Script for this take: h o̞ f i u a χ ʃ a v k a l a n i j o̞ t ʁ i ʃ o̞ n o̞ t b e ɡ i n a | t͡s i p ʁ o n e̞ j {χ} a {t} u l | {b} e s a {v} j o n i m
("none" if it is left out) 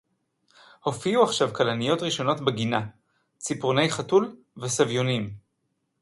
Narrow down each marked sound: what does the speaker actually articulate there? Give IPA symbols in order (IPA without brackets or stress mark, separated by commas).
χ, t, v, v